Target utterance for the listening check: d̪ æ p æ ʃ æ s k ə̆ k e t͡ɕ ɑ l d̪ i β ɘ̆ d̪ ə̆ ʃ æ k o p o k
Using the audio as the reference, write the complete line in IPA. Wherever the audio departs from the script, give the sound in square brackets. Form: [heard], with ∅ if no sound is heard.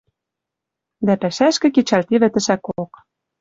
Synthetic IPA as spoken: d̪ æ p æ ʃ æ [ʃ] k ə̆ k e t͡ɕ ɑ l [t̪] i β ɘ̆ [t̪] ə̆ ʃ æ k o [∅] o k